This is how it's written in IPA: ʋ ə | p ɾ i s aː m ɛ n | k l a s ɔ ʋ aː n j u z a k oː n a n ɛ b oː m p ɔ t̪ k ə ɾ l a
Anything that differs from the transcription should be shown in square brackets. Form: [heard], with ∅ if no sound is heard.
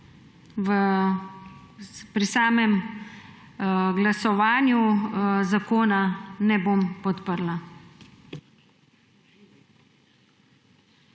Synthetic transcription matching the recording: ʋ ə | p ɾ i s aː m ɛ [m] | [ɡ] l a s ɔ ʋ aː n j u z a k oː n a n ɛ b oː m p ɔ t̪ [p] ə ɾ l a